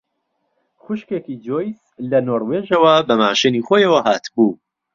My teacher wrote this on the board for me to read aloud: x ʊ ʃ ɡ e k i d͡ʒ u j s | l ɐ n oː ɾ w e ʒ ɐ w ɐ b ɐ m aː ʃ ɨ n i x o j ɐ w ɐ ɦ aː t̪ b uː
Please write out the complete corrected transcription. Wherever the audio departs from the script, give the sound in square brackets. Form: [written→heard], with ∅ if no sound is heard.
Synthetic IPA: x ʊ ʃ [ɡ→k] e k i d͡ʒ [u→o] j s | l ɐ n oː ɾ w e ʒ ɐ w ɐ b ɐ m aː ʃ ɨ n i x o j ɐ w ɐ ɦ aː t̪ b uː